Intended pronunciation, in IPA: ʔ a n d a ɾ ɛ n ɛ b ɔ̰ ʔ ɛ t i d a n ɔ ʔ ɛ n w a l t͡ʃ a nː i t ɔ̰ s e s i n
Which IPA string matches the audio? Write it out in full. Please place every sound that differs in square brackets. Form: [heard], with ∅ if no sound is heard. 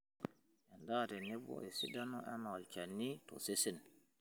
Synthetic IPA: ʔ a n d a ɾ ɛ n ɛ b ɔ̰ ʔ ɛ [s] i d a n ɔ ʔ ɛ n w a l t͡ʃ a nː i t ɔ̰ s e s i n